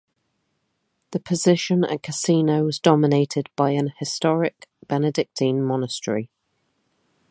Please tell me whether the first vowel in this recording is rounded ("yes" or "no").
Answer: no